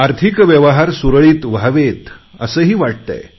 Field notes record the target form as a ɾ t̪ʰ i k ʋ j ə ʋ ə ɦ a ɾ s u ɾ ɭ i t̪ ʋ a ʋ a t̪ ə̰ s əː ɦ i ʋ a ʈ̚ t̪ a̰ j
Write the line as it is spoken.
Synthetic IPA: a ɾ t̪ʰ i k ʋ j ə ʋ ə ɦ a ɾ s u ɾ ɭ iː t̪ ʋ a ʋ e t̪ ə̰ s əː ɦ iː ʋ a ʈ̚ t̪ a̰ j